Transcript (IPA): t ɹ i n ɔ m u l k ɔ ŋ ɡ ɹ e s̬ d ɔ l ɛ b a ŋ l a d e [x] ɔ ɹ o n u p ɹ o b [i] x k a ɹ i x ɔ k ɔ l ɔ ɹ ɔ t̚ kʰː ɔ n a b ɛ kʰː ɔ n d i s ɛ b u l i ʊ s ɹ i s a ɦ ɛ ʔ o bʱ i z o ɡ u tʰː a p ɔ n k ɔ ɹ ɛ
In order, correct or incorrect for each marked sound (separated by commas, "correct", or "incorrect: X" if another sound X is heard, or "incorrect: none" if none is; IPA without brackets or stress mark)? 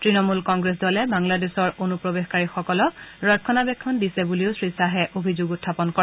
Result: incorrect: s, incorrect: e